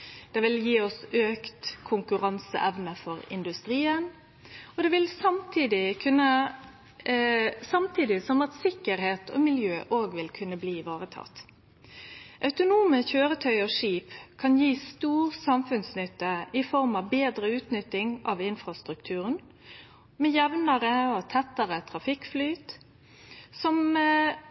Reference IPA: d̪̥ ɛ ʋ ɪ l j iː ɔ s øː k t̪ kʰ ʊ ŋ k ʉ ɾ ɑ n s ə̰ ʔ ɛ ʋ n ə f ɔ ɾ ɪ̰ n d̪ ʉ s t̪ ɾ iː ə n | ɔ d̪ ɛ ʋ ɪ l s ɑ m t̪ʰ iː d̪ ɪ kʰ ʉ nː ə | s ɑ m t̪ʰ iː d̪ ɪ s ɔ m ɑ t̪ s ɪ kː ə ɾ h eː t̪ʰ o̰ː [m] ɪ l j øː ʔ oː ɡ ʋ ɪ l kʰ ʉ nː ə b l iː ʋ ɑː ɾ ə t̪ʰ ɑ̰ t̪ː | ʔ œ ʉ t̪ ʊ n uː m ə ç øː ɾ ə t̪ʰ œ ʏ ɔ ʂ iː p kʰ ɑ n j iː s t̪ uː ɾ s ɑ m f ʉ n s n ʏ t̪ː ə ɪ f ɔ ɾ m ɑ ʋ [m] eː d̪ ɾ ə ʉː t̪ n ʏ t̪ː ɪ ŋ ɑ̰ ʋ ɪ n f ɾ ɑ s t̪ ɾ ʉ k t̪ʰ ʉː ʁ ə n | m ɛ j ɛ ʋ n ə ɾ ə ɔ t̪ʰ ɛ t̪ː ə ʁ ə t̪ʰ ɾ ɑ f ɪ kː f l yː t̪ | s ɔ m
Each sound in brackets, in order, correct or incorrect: correct, incorrect: b

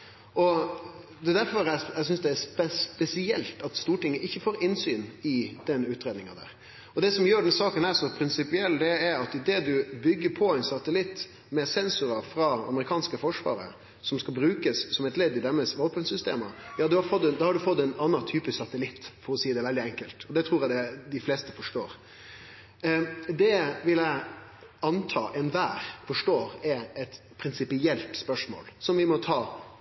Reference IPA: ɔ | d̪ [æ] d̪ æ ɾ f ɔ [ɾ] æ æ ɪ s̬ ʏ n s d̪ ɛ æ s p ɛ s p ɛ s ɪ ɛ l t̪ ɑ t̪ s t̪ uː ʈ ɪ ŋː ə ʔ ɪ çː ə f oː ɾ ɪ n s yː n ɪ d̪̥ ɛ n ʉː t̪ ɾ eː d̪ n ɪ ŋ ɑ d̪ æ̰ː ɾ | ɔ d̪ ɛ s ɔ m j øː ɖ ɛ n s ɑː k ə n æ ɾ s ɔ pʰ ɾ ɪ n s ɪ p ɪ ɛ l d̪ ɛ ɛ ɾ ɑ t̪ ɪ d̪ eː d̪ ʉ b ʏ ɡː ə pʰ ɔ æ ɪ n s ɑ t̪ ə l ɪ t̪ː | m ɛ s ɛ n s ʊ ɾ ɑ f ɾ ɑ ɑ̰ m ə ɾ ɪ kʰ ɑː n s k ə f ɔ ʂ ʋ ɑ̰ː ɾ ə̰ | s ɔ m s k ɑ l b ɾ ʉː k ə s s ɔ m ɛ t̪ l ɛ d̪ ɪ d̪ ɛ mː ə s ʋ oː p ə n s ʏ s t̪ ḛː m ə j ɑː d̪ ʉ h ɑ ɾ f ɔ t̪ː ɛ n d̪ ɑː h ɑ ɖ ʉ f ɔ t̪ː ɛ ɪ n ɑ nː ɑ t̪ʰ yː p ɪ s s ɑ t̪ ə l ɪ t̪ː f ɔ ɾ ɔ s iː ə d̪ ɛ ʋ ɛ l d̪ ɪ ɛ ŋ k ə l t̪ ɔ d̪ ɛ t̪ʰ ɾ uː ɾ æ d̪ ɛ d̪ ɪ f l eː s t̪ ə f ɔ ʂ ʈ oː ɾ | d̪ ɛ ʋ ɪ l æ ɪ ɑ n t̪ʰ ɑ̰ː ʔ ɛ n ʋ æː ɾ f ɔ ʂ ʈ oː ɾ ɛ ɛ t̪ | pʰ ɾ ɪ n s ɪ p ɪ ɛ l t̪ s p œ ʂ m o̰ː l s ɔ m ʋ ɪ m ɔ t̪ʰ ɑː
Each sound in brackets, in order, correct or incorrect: incorrect: ɛ, correct

